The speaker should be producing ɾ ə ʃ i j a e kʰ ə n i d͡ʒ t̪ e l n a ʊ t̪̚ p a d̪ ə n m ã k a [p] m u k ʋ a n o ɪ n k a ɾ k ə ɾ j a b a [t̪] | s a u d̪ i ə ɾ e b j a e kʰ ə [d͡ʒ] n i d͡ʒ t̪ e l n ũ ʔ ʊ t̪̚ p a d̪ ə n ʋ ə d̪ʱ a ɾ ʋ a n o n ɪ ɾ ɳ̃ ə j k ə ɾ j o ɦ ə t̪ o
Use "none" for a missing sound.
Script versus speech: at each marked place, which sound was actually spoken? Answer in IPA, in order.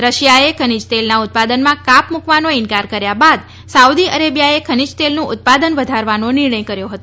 p, d̪, none

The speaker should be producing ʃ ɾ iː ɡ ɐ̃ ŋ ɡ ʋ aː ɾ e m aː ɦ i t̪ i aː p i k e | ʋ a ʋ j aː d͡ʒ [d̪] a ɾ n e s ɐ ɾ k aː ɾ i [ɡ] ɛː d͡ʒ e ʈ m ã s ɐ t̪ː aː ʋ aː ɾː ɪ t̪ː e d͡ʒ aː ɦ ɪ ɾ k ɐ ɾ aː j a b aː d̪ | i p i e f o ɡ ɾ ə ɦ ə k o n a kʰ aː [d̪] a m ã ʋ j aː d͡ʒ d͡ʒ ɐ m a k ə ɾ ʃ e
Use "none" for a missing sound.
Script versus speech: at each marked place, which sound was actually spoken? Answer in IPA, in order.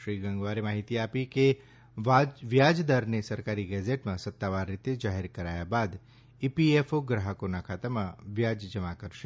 d̪, ɡ, t̪

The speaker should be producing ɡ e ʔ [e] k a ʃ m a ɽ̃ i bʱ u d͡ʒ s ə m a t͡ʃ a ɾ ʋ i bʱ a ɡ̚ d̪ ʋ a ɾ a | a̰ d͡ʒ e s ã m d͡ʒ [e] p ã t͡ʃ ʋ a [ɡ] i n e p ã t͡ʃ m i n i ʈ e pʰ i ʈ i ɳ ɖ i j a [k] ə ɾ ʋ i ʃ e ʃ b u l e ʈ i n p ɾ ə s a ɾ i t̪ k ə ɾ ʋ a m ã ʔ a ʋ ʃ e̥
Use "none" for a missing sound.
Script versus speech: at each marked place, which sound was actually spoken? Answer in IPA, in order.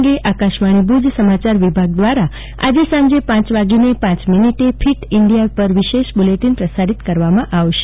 a, e, ɡ, p

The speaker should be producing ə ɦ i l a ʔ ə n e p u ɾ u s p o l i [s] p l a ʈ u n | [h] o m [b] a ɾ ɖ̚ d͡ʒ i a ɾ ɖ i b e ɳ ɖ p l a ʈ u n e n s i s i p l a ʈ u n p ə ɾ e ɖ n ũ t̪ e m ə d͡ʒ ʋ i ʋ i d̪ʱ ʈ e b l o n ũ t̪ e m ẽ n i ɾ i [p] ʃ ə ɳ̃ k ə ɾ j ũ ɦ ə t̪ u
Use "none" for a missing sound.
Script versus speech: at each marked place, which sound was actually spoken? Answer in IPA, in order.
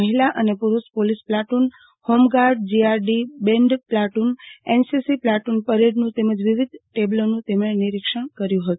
s, h, ɡ, k

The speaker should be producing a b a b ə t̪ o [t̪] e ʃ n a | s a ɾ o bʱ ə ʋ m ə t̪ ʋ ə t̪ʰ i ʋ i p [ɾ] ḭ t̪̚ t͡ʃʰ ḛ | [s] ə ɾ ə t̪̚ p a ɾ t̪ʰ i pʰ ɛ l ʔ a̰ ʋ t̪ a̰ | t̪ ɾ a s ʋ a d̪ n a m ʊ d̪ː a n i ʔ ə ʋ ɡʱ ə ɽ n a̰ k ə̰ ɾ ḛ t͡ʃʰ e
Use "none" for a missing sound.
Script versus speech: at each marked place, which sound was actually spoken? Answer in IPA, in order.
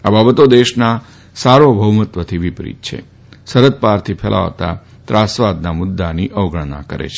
d̪, ɾ, s

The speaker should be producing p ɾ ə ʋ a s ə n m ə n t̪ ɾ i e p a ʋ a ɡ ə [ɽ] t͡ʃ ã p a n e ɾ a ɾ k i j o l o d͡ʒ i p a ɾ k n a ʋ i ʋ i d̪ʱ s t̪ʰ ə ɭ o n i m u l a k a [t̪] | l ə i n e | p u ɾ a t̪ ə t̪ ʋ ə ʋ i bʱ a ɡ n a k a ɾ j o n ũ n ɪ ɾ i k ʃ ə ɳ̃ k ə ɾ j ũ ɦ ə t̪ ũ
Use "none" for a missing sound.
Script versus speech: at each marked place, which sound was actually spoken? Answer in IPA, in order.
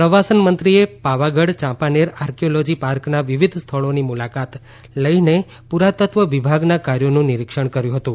ɽ, t̪

